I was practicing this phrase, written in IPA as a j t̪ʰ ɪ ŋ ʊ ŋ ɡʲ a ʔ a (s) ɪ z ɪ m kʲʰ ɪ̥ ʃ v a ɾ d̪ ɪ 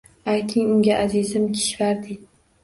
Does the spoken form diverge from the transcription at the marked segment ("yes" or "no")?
yes